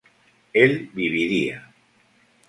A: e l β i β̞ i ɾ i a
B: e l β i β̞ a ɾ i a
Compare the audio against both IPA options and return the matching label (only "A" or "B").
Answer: A